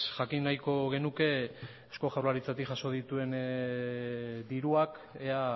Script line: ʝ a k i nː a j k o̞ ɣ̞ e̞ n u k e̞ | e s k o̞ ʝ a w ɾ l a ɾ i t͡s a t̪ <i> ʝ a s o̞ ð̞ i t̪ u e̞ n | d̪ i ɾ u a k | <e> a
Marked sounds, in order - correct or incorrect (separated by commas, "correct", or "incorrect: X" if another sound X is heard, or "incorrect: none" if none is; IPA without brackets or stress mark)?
correct, correct